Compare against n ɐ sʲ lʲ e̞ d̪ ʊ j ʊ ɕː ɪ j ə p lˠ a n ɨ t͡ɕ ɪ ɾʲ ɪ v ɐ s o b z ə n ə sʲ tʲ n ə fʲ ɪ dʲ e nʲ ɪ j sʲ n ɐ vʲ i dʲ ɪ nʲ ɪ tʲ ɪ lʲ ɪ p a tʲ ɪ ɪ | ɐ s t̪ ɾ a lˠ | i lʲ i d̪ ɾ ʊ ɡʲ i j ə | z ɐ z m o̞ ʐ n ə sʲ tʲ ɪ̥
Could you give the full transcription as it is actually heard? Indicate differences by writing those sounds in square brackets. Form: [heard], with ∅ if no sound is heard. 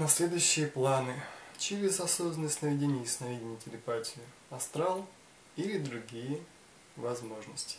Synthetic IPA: n ɐ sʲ lʲ e̞ d̪ ʊ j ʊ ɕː ɪ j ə p lˠ a n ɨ t͡ɕ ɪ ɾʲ ɪ [z] ɐ s o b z ə n ə sʲ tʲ n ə [vʲ] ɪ dʲ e nʲ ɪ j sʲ n ɐ vʲ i dʲ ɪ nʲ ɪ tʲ ɪ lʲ ɪ p a tʲ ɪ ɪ | ɐ s t̪ ɾ a lˠ | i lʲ [ɪ] d̪ ɾ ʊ ɡʲ i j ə | [v] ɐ z m o̞ ʐ n ə sʲ tʲ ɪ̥